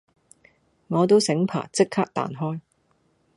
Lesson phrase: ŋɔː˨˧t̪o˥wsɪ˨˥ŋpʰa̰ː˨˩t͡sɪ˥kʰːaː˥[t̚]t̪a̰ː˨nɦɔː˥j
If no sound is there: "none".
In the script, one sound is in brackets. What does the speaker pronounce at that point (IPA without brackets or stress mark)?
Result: k̚